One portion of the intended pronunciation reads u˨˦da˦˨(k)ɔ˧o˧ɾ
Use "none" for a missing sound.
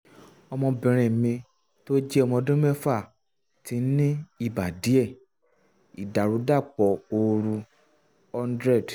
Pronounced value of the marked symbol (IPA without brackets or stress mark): k͡p